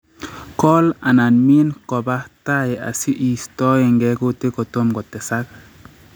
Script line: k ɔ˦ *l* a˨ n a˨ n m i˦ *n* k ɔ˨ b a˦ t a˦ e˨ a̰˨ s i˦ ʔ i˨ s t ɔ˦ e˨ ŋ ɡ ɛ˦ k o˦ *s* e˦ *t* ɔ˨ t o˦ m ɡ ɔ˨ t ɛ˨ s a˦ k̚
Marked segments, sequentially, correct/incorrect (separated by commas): correct, correct, incorrect, incorrect